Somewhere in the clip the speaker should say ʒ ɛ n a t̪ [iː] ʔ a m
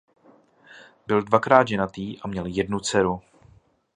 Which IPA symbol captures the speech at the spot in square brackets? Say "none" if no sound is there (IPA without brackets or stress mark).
iː